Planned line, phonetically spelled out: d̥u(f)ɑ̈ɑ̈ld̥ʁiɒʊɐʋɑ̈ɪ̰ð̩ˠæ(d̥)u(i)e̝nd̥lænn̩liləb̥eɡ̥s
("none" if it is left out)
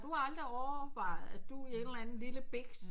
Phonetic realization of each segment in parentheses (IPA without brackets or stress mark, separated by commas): h, d̥, i